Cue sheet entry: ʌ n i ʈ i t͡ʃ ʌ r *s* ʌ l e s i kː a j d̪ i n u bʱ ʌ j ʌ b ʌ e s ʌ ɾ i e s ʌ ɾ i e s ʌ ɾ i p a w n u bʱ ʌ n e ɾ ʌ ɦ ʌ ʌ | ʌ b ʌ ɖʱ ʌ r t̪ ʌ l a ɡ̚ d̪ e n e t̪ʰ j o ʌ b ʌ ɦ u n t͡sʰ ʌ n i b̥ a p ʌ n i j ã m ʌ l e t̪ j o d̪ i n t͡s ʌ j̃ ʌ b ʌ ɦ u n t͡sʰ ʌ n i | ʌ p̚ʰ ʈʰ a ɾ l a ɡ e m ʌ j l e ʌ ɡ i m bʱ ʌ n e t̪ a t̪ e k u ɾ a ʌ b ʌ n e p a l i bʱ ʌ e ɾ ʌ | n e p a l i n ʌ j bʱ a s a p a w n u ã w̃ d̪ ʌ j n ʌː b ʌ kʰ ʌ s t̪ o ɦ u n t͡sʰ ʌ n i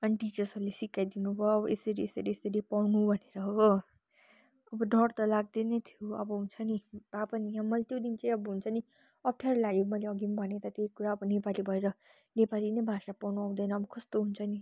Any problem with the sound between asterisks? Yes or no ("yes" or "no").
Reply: no